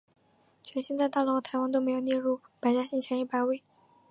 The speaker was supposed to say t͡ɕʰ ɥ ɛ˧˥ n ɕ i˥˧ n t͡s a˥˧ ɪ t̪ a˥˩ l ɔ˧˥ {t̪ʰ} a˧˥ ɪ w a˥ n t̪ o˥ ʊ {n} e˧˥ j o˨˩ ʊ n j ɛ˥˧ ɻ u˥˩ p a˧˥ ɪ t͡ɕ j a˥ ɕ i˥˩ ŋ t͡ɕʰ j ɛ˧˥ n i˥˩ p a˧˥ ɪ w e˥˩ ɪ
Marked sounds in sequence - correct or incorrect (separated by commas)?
correct, incorrect